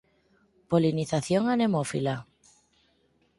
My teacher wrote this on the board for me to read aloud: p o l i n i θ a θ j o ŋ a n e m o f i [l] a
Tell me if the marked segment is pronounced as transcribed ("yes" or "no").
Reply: yes